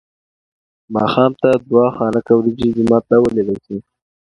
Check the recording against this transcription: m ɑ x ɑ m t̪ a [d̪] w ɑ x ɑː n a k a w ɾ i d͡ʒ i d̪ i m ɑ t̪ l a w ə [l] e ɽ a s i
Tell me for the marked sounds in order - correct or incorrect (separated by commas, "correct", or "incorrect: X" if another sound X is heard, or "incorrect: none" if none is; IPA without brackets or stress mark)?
correct, correct